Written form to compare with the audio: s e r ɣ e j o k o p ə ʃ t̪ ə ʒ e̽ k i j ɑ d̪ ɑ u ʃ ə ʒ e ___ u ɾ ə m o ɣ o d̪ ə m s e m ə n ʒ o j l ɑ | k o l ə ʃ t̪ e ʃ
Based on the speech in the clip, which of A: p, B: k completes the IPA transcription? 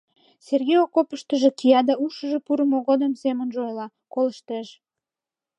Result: A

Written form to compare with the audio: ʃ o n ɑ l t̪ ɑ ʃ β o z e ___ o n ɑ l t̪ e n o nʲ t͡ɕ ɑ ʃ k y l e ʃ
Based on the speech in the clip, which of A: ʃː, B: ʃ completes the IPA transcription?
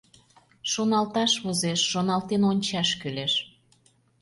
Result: A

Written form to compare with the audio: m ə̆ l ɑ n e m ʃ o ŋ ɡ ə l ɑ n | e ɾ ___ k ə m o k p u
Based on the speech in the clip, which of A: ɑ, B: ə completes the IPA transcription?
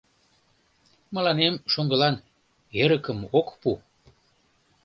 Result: B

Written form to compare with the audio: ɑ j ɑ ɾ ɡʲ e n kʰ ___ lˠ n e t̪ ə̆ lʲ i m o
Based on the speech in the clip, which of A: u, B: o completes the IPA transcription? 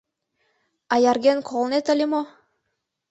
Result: B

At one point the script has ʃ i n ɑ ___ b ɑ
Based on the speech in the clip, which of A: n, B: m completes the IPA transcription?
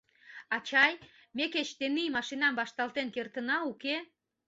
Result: B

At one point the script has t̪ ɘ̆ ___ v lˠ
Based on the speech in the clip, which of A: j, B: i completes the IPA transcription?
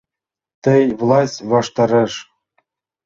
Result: A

